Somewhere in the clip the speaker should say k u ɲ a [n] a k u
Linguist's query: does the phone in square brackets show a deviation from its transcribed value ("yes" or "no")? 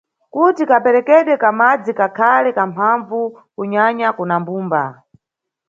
yes